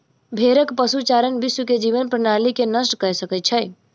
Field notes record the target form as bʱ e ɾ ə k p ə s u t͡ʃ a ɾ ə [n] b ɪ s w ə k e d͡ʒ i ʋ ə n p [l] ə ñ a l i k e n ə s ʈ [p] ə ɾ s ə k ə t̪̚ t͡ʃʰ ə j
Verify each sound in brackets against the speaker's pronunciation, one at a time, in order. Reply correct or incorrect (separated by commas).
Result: correct, incorrect, incorrect